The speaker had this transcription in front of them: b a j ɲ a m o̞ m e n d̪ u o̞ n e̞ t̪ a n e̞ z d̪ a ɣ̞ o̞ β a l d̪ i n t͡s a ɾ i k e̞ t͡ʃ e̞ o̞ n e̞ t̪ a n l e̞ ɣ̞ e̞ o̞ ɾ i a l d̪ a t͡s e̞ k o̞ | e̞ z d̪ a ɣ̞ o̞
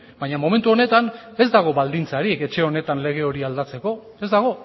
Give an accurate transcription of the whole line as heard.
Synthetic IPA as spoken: b a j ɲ a m o̞ m e n t̪ u o̞ n e̞ t̪ a n e̞ z d̪ a ɣ̞ o̞ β a l d̪ i n t͡s a ɾ i k e̞ t͡ʃ e̞ o̞ n e̞ t̪ a n l e̞ ɣ̞ e̞ o̞ ɾ i a l d̪ a t͡s e̞ k o̞ | e̞ z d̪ a ɣ̞ o̞